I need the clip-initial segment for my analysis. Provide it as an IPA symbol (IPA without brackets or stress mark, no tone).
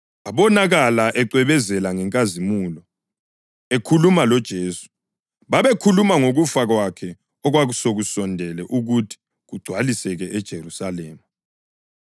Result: a